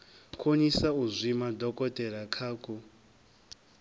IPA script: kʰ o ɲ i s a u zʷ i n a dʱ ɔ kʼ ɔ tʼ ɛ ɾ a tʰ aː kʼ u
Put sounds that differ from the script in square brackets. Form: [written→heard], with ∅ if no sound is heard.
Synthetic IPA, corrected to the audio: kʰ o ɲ i s a u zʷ i [n→m] a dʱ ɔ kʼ ɔ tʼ ɛ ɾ a [tʰ→kʰ] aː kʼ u